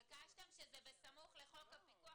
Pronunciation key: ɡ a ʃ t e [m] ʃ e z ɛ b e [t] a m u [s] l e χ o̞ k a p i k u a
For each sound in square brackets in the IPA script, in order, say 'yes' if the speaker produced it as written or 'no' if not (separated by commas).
yes, no, no